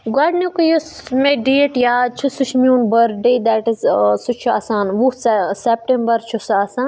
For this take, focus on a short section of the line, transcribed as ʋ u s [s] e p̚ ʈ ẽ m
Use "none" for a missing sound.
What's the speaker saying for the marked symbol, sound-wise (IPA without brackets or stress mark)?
s